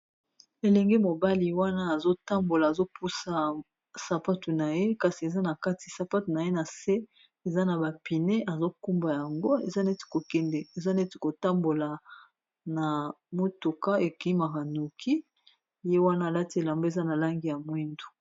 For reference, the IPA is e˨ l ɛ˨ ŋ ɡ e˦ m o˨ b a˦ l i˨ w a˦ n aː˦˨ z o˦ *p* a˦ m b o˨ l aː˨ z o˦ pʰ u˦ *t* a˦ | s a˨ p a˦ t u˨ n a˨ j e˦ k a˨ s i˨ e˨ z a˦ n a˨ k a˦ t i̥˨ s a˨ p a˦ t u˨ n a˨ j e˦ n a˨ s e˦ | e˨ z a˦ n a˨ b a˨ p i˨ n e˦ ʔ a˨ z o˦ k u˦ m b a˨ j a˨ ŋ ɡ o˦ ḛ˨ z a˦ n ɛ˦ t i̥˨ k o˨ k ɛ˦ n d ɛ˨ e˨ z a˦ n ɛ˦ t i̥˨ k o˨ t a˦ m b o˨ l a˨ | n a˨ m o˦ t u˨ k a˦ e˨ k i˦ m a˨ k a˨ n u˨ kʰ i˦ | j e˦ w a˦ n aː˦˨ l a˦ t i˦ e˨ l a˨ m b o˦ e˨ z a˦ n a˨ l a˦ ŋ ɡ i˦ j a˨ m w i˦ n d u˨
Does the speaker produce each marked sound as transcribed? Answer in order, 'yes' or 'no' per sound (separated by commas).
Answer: no, no